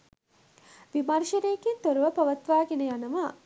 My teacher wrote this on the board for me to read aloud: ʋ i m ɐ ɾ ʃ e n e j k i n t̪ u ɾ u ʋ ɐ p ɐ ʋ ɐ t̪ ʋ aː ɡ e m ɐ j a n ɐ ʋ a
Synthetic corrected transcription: ʋ i m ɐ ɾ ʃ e n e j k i n t̪ o ɾ u ʋ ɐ p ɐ ʋ ɐ t̪ ʋ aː ɡ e n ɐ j a n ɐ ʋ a